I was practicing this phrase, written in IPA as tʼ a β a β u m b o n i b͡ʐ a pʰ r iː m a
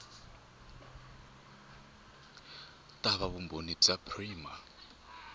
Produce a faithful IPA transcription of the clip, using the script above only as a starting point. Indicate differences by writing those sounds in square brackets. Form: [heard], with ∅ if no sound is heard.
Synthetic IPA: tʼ a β a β u m b o n i b͡ʐ a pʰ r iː m a

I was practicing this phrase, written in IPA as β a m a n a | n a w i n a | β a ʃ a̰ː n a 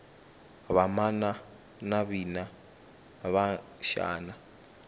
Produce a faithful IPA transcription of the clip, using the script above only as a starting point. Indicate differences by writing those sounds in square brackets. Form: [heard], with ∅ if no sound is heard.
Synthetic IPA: β a m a n a | n a [β] i n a | β a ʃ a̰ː n a

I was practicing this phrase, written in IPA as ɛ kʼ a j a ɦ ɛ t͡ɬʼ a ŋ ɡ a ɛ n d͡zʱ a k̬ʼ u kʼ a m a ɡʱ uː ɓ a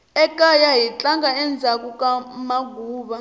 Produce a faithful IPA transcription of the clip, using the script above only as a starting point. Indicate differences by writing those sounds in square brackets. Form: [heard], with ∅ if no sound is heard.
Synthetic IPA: ɛ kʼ a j a ɦ [i] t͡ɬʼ a ŋ ɡ a ɛ n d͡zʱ a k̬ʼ u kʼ a m a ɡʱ uː ɓ a

